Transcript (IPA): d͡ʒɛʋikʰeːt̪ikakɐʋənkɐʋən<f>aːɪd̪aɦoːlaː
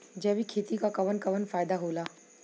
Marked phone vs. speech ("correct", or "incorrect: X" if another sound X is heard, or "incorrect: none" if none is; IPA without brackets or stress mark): correct